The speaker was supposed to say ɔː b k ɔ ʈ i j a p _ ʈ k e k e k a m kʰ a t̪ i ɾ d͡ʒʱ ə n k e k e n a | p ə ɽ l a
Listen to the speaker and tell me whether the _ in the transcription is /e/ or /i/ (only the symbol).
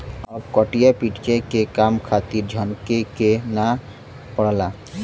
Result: i